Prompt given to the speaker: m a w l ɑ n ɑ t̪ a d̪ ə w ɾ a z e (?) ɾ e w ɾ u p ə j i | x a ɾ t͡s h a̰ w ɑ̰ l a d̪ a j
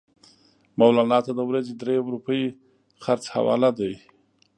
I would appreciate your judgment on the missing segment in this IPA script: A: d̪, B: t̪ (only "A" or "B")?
A